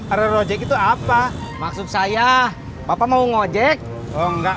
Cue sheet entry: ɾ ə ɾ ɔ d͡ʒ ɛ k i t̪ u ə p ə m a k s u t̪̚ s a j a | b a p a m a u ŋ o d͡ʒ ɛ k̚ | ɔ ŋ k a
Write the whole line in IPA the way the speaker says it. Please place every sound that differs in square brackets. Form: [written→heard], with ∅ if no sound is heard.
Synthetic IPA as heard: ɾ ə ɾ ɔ d͡ʒ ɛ k i t̪ u [ə→a] p [ə→a] m a k s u t̪̚ s a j a | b a p a m a u ŋ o d͡ʒ ɛ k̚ | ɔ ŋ [k→ɡ] a

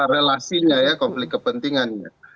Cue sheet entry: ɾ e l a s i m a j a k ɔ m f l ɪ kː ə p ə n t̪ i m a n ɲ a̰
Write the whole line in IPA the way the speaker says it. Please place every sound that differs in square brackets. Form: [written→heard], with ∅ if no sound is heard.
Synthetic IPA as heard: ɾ e l a s i [m→ɲ] a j a k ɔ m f l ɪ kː ə p ə n t̪ i [m→ŋ] a n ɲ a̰

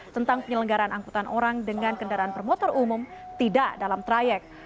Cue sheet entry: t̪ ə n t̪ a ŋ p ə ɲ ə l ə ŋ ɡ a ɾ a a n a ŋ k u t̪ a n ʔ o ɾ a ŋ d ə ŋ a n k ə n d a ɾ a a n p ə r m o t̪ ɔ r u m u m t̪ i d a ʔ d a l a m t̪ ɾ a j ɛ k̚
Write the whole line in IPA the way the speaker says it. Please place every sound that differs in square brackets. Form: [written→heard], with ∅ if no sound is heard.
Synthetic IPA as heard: t̪ ə n t̪ a ŋ p ə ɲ ə l ə ŋ ɡ a ɾ a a n a ŋ k u t̪ a n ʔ o ɾ a ŋ d ə ŋ a n k ə n d a ɾ a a n p ə r m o t̪ ɔ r u m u m t̪ i d a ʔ d a l a m t̪ ɾ a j ɛ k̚

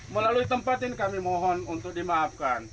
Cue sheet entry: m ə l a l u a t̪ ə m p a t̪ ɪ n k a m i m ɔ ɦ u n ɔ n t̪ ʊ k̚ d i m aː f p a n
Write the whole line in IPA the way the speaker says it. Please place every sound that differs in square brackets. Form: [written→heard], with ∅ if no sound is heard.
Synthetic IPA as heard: m ə l a l u [a→i] t̪ ə m p a t̪ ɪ n k a m i m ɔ ɦ [u→ɔ] n [ɔ→u] n t̪ ʊ k̚ d i m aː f [p→k] a n

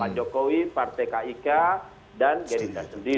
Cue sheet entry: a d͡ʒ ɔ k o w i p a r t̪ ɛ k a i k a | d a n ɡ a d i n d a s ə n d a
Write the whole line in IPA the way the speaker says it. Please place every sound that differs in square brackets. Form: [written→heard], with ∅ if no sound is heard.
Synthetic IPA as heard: a d͡ʒ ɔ k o w i p a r t̪ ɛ k a i k a | d a n ɡ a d i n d a s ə n d [a→i]

